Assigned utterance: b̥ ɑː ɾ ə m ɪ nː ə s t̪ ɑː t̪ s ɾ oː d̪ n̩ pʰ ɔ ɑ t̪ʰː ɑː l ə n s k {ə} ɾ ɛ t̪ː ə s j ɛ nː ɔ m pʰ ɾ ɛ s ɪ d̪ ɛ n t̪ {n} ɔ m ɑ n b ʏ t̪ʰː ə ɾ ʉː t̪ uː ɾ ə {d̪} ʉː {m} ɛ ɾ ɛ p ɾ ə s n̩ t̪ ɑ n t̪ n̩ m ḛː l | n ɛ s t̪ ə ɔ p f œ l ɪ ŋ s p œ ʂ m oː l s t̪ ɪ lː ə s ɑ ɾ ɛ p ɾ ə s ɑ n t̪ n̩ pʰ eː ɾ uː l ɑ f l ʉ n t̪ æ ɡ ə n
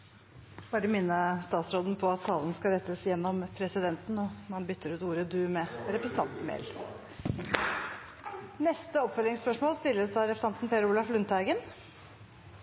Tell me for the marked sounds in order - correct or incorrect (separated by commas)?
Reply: incorrect, correct, correct, correct